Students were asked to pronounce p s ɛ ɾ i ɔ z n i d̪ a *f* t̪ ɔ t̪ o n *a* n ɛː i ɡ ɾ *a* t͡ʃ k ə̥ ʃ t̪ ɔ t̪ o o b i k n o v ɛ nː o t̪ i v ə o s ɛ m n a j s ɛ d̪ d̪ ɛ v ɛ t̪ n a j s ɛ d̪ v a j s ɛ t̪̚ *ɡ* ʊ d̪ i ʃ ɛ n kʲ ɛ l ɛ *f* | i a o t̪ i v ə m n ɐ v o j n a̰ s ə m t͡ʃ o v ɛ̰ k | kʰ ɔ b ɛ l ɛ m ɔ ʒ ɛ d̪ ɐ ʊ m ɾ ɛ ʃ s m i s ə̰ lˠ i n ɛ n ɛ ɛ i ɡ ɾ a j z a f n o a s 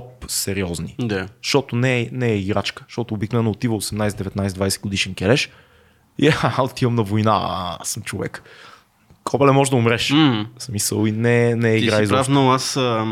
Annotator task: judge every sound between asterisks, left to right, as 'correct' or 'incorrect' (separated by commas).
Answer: incorrect, incorrect, correct, correct, incorrect